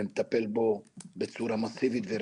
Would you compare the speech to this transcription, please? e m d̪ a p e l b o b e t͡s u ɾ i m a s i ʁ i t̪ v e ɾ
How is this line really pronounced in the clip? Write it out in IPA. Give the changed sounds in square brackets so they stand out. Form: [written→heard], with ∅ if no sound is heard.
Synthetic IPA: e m [d̪→t̪] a p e l b o b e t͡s u ɾ [i→a] m a s i [ʁ→v] i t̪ v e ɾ